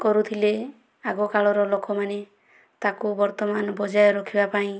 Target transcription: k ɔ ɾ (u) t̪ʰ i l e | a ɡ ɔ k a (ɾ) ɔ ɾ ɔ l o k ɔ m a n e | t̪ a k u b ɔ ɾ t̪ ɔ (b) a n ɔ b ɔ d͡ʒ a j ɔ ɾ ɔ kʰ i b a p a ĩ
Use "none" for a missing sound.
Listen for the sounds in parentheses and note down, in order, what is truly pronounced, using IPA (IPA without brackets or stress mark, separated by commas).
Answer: u, ɭ, m